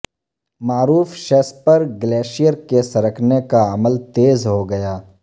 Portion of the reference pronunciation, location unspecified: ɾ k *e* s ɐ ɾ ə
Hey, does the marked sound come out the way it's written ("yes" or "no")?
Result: yes